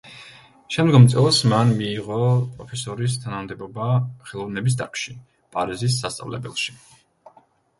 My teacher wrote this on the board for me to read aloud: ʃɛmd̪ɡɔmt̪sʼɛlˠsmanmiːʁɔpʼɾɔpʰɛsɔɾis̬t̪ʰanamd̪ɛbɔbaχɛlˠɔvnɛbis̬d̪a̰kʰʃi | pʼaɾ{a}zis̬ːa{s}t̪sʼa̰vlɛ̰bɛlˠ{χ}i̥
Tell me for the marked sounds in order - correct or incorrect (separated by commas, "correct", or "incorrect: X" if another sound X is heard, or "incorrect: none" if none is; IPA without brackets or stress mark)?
incorrect: i, correct, incorrect: ʃ